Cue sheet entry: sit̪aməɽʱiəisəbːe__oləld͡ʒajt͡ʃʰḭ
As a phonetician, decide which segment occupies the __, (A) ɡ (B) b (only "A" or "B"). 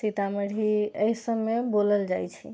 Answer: B